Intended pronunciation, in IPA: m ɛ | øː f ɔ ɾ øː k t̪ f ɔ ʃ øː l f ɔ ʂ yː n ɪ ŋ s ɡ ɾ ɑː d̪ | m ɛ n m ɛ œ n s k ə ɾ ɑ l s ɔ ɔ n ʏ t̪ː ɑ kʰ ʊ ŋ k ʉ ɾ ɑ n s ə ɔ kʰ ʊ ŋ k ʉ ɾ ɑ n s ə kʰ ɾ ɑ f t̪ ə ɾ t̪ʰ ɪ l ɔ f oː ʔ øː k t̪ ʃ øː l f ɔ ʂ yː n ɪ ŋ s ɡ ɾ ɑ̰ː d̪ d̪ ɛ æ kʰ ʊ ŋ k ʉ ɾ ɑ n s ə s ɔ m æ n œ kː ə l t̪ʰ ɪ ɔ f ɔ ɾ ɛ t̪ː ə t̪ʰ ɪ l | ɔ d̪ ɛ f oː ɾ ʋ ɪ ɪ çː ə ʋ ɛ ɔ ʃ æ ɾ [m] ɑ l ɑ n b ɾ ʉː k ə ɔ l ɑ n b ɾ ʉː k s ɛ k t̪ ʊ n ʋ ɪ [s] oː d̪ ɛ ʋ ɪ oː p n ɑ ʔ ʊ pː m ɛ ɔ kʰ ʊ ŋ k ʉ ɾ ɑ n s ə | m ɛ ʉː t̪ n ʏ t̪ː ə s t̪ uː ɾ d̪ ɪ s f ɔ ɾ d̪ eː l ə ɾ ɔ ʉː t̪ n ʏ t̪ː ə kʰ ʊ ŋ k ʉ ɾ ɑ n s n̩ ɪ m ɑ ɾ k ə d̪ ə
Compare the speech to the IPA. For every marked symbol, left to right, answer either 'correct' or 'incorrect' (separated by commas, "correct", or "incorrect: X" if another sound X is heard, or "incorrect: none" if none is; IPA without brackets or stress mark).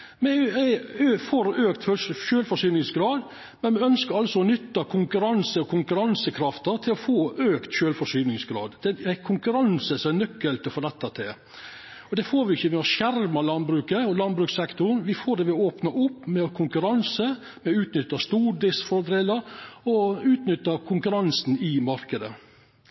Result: correct, incorrect: f